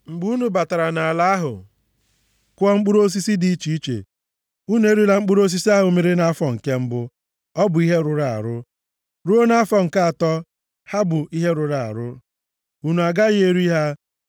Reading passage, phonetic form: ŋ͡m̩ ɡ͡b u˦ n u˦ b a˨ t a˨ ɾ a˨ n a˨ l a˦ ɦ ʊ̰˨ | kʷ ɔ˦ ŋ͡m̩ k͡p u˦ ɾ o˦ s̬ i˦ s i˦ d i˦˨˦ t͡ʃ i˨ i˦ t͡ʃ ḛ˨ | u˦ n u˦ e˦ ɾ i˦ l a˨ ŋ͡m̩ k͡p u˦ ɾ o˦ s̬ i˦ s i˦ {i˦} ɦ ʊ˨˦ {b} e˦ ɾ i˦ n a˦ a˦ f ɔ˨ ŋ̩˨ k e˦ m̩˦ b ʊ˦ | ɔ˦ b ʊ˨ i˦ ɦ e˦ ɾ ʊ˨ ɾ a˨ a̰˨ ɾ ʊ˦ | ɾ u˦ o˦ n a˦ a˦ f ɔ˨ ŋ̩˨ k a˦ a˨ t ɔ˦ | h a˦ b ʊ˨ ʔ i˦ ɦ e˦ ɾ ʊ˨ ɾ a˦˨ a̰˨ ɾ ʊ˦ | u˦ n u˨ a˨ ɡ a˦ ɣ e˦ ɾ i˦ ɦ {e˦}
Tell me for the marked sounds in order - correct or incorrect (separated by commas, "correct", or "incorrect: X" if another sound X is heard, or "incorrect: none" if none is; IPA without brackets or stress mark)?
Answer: incorrect: a˦, incorrect: m, incorrect: a˦